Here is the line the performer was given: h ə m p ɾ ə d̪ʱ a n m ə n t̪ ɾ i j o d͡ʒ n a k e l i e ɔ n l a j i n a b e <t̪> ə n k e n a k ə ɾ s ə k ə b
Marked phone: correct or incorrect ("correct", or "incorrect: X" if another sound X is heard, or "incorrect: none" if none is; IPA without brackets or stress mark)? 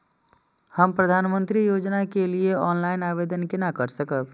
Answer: incorrect: d̪